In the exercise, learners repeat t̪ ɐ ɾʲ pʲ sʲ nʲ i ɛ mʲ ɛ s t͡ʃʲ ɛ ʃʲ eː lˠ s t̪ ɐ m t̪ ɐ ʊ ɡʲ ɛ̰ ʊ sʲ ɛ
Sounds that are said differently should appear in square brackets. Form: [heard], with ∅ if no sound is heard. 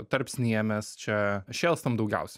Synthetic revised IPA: t̪ ɐ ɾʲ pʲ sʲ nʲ i ɛ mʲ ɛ s t͡ʃʲ ɛ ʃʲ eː lˠ s t̪ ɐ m [d̪] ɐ ʊ ɡʲ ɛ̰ ʊ sʲ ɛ